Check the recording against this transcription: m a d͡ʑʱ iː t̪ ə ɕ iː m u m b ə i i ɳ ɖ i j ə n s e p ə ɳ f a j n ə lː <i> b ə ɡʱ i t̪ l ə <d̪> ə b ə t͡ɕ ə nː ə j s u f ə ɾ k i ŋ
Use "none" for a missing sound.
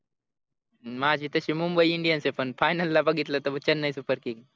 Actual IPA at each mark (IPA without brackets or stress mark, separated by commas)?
a, t̪